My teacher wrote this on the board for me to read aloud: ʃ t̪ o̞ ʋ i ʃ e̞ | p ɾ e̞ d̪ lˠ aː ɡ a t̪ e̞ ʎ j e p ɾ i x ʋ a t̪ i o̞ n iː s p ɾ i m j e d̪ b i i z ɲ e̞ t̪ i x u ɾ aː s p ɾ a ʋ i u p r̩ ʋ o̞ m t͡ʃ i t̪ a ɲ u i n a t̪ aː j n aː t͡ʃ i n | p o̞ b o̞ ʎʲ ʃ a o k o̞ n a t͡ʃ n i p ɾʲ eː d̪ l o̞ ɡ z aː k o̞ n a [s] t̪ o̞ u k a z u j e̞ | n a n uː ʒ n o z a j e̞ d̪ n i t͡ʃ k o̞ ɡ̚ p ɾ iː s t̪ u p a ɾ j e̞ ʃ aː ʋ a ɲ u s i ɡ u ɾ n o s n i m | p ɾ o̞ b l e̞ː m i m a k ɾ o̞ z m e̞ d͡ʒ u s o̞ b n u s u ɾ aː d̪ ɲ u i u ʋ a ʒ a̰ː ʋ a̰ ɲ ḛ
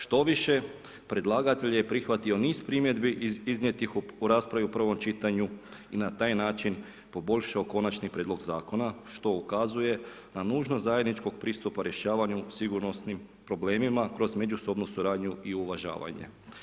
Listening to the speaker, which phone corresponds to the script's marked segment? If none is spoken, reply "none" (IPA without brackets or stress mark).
ʃ